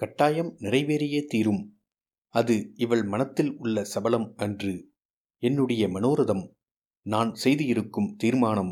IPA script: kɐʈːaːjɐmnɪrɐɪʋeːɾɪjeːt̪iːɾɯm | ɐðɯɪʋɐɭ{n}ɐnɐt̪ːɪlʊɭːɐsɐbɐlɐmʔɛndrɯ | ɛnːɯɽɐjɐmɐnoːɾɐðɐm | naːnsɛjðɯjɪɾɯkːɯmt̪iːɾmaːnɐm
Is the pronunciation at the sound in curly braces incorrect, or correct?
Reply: incorrect